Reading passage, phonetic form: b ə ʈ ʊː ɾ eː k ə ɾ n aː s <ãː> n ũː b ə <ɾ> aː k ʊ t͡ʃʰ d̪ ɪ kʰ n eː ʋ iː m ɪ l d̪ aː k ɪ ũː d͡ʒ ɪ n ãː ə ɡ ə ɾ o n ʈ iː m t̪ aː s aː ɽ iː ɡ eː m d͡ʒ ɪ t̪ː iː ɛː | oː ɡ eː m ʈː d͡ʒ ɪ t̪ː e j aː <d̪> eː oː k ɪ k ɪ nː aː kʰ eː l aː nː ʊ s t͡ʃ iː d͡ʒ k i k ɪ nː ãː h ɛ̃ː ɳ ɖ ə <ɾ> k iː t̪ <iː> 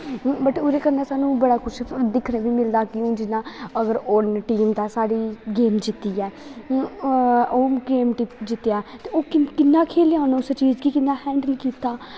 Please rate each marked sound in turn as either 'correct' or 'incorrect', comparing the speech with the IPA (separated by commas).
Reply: incorrect, incorrect, incorrect, incorrect, incorrect